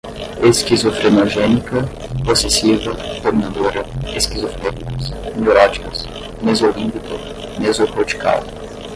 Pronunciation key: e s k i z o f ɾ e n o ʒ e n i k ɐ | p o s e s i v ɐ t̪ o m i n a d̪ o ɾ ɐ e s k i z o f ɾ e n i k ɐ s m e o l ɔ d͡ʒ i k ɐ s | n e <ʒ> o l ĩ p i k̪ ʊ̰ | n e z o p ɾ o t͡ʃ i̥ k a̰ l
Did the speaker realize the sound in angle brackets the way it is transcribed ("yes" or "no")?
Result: no